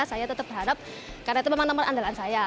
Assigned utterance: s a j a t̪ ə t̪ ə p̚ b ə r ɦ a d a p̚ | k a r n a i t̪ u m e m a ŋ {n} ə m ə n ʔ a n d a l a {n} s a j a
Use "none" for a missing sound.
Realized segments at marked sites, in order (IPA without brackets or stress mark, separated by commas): n, n